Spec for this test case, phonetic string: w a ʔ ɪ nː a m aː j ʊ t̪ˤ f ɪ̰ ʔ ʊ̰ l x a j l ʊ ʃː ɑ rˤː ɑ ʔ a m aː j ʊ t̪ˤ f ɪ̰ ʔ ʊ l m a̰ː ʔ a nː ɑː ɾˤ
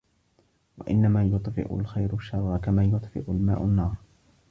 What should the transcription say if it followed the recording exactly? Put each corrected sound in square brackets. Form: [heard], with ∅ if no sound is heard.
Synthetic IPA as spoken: w a ʔ ɪ nː a m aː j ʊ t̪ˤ f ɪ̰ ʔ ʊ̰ l x a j [ɾ] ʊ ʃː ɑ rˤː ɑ [k] a m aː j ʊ t̪ˤ f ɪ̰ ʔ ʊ l m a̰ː ʔ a nː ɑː ɾˤ